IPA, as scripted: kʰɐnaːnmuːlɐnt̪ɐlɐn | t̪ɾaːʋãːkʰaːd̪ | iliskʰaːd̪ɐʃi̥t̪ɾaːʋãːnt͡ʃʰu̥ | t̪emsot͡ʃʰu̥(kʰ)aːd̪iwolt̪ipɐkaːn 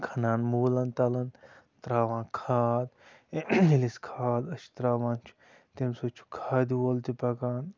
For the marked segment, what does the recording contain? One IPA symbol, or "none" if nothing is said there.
kʰ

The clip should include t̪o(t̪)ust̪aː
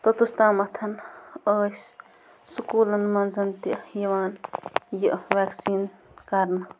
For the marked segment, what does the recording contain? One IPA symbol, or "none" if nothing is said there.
t̪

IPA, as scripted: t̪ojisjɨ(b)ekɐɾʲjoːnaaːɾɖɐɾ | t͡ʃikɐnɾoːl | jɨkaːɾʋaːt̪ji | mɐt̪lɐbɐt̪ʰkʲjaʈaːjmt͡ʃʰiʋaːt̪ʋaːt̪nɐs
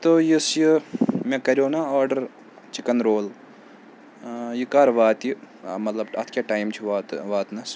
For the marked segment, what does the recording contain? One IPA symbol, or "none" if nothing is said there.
m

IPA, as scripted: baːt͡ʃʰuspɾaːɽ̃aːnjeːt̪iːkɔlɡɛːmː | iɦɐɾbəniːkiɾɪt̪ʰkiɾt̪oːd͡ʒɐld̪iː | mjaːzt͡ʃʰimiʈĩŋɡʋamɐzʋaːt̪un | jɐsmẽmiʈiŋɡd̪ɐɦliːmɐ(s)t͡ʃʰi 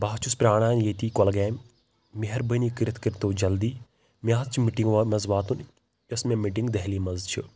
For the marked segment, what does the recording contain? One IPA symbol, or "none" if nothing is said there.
z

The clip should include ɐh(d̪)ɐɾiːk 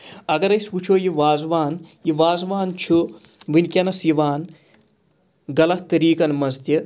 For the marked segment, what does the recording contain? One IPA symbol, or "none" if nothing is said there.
t̪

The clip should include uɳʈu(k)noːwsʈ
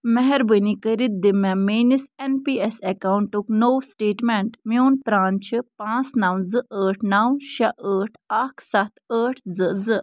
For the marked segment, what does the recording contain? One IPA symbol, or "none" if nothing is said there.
k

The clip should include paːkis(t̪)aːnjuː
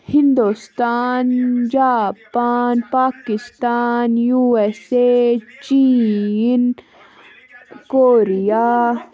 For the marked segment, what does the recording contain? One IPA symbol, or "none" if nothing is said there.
t̪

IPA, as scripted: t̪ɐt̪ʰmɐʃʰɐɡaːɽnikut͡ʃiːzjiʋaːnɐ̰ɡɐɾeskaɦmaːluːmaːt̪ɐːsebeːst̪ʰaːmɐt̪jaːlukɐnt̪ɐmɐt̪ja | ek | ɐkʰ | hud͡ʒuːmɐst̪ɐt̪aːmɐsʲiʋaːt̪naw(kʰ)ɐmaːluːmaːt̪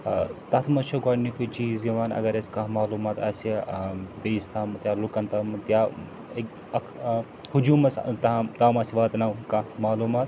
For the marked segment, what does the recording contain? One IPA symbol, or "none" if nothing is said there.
k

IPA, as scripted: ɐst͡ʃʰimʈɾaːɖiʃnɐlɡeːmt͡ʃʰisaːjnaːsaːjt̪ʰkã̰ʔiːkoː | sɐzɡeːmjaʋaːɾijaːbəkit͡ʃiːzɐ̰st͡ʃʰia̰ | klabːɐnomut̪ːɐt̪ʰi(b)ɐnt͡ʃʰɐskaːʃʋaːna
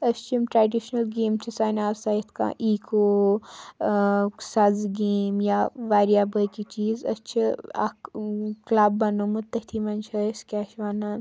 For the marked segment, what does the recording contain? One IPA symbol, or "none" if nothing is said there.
m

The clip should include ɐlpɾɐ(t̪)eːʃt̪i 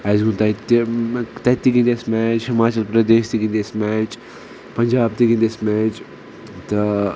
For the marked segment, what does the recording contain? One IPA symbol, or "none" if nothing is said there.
d̪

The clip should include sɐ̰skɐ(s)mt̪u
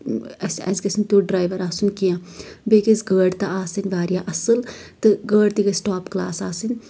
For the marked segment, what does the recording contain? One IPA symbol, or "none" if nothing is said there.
s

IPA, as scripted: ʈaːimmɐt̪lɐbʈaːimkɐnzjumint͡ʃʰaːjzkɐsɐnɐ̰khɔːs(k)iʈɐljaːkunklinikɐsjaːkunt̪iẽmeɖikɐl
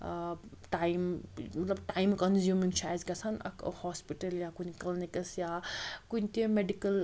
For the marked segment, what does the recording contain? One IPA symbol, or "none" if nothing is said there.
p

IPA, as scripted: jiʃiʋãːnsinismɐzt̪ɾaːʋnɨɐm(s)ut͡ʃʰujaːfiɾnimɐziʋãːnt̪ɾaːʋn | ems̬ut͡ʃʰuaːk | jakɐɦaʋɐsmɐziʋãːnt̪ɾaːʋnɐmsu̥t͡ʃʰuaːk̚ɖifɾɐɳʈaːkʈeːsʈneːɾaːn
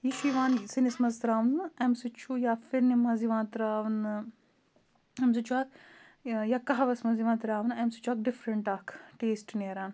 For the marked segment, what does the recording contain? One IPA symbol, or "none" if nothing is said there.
s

